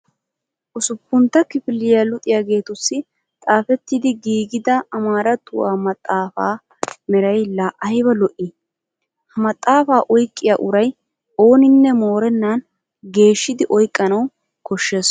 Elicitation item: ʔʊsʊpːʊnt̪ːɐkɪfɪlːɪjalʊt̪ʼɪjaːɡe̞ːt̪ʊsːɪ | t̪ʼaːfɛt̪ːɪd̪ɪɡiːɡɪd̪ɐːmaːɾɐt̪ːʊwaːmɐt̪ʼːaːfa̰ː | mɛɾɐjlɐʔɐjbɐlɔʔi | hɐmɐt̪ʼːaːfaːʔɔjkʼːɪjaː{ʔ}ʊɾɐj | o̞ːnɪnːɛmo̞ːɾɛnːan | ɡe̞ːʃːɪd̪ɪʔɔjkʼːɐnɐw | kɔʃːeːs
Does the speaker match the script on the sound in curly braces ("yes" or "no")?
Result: yes